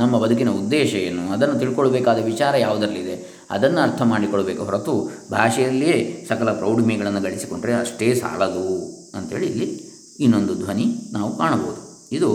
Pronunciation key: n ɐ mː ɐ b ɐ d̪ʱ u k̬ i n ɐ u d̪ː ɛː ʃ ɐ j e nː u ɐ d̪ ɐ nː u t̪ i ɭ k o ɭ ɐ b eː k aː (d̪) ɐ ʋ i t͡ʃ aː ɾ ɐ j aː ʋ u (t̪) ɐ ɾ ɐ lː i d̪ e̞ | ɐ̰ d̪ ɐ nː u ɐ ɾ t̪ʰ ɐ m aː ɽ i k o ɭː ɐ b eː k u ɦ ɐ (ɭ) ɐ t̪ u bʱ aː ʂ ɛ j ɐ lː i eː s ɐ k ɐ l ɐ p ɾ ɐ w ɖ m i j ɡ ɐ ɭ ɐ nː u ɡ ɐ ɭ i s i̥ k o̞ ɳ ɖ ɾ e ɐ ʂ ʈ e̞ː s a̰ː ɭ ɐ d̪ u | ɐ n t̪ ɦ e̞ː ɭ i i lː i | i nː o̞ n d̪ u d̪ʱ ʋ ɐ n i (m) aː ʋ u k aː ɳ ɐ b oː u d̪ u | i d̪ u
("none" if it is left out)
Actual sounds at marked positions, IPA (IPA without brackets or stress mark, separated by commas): d̪, d̪, ɾ, n